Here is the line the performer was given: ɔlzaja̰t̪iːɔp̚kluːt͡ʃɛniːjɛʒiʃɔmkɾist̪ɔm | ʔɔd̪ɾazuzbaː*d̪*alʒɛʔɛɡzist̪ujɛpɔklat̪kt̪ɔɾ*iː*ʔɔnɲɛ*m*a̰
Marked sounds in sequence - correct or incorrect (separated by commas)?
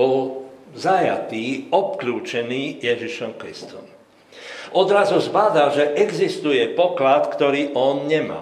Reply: correct, correct, correct